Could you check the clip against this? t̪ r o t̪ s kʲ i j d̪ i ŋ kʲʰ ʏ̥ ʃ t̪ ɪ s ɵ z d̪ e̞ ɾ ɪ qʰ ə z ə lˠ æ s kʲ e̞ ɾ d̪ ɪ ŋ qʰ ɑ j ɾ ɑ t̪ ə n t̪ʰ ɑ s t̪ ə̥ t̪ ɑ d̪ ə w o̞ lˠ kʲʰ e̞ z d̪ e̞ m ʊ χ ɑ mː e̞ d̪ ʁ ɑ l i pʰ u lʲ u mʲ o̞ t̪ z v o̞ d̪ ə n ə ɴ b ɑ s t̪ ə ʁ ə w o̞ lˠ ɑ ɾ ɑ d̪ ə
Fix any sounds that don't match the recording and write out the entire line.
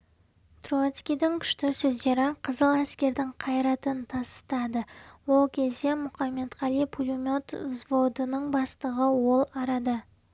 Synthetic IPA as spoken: t̪ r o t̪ s kʲ i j d̪ ɪ ŋ kʲʰ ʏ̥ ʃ t̪ ɪ s ɵ z d̪ e̞ ɾ ɪ qʰ ə z ə lˠ æ s kʲ e̞ ɾ d̪ ɪ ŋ qʰ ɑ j ɾ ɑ t̪ ə n t̪ʰ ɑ s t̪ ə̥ t̪ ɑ d̪ ə w o̞ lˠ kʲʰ e̞ z d̪ e̞ m ʊ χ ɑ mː e̞ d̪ ʁ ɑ l i pʰ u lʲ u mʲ o̞ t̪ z v o̞ d̪ ə n ə ɴ b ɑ s t̪ ə ʁ ə w o̞ lˠ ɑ ɾ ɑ d̪ ə